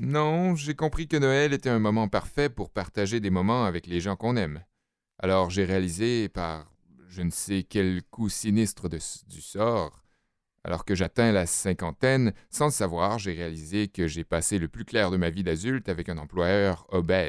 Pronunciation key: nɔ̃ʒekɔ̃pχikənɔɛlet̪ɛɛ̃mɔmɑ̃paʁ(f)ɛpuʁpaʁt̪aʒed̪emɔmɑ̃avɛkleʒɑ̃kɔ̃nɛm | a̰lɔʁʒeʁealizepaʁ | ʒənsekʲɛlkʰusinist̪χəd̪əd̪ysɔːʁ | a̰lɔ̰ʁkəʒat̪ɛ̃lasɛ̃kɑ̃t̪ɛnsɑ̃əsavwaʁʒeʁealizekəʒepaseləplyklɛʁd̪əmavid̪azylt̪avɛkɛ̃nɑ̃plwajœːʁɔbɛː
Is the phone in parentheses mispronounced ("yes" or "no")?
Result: no